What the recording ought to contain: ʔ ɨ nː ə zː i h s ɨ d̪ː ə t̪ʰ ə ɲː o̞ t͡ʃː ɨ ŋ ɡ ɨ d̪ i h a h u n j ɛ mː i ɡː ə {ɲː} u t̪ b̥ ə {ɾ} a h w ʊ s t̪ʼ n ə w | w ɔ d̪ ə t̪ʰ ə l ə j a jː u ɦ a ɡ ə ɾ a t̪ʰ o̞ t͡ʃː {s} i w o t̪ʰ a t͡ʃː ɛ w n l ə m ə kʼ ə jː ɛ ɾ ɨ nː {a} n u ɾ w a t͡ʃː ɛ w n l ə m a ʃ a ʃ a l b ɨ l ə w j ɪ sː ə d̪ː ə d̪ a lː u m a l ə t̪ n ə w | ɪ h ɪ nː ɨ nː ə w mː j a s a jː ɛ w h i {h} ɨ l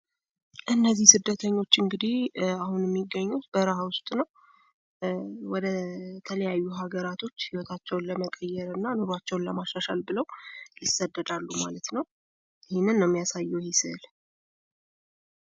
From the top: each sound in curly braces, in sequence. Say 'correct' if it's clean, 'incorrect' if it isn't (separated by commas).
correct, correct, incorrect, correct, incorrect